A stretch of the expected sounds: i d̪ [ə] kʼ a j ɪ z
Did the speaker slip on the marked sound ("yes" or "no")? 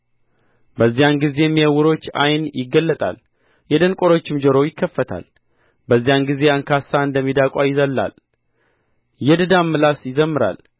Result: yes